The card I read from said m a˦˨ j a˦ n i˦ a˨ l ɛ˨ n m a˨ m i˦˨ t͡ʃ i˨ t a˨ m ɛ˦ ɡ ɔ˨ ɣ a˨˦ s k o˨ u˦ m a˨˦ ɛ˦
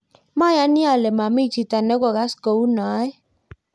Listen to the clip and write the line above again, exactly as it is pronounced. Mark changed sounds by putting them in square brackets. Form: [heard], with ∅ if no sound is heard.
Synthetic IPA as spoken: m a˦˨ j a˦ n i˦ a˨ l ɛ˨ [∅] m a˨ m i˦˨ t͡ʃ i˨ t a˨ [n] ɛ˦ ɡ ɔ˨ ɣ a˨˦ s k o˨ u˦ [n] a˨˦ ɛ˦